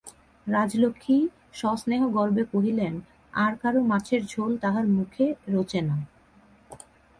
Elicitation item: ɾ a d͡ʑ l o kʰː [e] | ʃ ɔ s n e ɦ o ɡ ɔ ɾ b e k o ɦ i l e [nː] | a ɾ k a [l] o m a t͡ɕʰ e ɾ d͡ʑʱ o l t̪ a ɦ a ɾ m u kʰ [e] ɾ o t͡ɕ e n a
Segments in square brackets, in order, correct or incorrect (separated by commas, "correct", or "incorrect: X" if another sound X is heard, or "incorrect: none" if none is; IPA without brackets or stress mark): incorrect: i, incorrect: n, incorrect: ɾ, correct